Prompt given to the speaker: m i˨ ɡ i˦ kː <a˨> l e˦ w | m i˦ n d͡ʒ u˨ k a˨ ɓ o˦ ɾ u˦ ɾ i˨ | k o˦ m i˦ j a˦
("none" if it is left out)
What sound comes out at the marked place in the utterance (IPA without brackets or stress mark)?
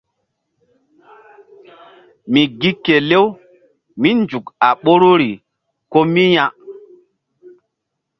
e˨